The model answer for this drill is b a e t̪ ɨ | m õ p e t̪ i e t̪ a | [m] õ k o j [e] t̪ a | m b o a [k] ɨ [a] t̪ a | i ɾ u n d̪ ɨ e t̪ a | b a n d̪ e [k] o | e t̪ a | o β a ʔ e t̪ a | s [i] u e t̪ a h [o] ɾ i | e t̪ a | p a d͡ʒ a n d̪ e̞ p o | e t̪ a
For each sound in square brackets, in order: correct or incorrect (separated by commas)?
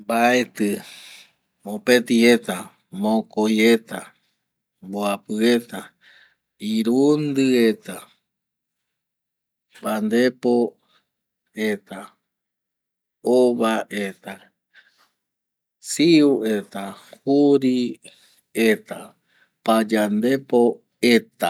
correct, correct, incorrect, incorrect, incorrect, correct, incorrect